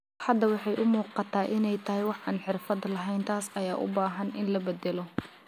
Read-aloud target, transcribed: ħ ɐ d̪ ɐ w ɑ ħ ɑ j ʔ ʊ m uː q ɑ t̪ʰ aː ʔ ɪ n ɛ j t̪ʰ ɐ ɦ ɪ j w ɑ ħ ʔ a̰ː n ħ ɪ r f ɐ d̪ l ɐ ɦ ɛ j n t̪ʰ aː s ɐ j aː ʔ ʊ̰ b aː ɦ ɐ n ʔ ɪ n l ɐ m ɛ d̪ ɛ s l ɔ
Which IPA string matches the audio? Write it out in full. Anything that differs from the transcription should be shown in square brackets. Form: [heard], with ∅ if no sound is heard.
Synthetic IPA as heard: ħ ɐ d̪ ɐ w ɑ ħ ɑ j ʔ ʊ m uː q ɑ t̪ʰ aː ʔ ɪ n ɛ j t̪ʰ ɐ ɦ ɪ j w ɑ ħ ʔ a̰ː n ħ ɪ r f ɐ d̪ l ɐ ɦ ɛ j n t̪ʰ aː s ɐ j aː ʔ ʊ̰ b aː ɦ ɐ n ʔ ɪ n l ɐ [b] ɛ d̪ ɛ [∅] l ɔ